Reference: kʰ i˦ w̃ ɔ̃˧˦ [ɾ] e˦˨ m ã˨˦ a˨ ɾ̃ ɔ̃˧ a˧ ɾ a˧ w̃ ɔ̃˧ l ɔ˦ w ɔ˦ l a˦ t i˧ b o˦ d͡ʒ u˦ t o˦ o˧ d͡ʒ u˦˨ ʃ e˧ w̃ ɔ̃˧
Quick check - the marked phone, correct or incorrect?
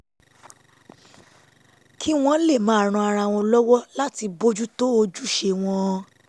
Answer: incorrect